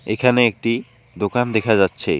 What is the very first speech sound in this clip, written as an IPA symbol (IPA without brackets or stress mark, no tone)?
e